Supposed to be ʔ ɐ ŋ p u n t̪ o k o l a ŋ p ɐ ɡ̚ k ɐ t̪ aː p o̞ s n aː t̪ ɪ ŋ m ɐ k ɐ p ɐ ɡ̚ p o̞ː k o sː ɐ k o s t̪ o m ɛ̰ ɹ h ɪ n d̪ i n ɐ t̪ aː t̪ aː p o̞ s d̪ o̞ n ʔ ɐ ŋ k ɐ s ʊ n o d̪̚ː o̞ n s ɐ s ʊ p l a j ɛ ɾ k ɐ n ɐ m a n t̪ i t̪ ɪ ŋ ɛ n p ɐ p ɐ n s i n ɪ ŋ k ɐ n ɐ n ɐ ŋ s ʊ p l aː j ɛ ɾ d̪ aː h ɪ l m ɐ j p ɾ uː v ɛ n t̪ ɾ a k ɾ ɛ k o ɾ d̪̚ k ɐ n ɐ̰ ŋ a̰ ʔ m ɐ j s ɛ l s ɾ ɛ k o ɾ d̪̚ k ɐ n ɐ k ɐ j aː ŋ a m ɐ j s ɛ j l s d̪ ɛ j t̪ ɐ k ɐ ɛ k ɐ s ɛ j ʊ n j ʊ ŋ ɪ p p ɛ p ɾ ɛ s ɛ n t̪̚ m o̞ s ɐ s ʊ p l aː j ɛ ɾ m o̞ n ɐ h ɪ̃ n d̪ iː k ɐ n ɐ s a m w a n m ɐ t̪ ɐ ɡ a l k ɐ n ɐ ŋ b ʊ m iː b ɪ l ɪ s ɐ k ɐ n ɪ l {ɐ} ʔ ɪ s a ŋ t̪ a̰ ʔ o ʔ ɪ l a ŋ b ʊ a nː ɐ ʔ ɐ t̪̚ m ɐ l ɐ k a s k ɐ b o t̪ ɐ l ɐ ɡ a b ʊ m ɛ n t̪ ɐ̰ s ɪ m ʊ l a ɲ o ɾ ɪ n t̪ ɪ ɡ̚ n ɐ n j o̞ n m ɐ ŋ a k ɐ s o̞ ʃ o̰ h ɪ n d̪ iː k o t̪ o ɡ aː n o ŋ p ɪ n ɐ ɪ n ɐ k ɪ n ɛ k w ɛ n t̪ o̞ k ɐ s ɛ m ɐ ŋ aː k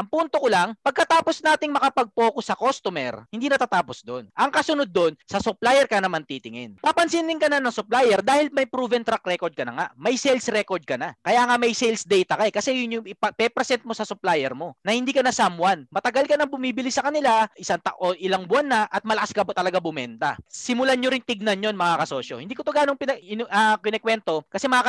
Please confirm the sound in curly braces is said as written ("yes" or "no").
no